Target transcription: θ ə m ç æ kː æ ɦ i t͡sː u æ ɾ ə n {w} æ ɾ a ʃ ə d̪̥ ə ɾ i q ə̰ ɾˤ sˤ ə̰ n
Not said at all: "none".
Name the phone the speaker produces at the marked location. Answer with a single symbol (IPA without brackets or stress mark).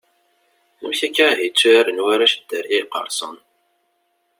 w